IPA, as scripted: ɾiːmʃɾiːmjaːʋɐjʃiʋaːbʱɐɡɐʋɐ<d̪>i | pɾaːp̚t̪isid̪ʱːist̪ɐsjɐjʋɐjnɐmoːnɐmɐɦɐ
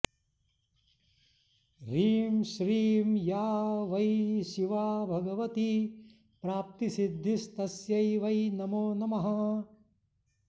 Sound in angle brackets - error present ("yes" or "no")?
yes